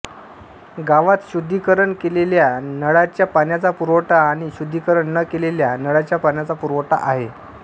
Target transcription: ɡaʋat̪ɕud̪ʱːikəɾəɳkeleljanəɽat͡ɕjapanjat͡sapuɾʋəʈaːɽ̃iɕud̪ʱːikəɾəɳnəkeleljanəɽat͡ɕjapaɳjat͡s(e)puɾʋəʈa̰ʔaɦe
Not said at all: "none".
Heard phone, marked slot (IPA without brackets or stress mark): a